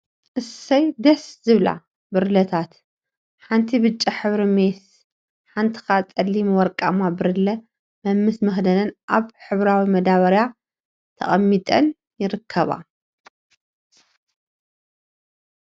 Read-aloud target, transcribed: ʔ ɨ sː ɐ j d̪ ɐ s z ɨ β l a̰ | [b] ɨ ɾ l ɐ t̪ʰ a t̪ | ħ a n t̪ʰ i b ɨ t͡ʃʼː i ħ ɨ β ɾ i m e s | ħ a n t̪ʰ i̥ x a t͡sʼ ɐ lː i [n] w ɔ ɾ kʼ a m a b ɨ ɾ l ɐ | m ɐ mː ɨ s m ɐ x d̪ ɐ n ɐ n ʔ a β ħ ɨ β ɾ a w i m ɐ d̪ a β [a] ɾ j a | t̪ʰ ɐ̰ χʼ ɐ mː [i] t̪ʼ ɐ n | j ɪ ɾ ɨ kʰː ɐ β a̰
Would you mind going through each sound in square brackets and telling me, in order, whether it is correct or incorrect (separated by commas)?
correct, incorrect, incorrect, correct